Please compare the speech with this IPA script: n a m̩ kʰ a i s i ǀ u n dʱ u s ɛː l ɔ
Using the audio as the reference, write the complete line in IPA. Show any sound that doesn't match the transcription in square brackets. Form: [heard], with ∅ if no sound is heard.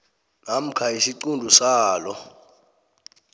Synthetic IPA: n a m̩ kʰ a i s i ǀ u n dʱ u s [aː] l ɔ